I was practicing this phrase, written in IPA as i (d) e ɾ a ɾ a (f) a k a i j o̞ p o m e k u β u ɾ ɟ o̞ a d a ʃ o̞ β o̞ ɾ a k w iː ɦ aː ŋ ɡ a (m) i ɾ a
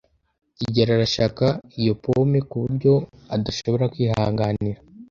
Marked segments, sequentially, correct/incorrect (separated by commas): incorrect, incorrect, incorrect